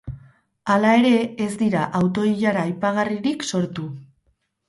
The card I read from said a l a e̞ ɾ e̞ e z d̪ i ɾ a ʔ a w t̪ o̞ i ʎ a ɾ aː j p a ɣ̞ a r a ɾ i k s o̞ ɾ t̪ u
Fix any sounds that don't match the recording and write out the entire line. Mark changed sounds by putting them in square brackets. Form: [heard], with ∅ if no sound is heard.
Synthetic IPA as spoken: a l a e̞ ɾ e̞ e z d̪ i ɾ a ʔ a w t̪ o̞ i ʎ a ɾ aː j p a ɣ̞ a r [i] ɾ i k s o̞ ɾ t̪ u